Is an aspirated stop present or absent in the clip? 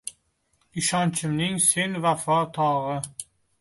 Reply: present